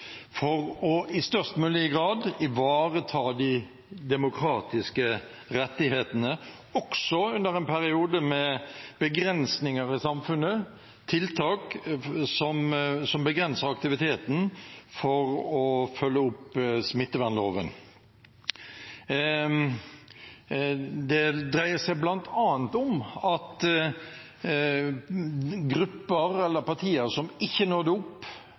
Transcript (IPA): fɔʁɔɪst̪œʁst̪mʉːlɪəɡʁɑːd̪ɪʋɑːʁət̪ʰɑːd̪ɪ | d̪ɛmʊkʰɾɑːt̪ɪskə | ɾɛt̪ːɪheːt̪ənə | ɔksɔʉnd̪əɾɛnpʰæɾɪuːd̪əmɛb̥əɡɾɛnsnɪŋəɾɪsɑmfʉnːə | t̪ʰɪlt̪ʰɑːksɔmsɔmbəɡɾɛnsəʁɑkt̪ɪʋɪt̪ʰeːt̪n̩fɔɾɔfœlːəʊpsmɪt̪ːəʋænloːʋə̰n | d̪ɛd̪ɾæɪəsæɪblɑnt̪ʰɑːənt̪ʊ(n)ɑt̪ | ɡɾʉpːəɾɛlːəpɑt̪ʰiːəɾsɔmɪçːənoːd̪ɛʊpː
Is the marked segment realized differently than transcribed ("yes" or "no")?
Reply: yes